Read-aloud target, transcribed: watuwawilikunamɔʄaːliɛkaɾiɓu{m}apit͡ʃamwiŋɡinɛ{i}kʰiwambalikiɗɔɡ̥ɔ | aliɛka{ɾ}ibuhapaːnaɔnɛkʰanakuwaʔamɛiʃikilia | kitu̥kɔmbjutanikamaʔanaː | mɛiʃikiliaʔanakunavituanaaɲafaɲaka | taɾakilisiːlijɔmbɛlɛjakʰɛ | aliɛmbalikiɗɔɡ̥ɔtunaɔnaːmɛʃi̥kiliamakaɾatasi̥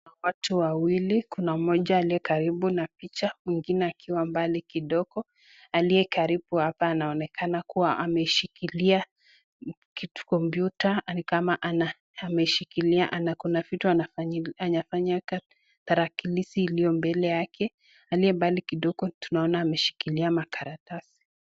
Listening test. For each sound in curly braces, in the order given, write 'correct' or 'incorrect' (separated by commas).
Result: incorrect, incorrect, correct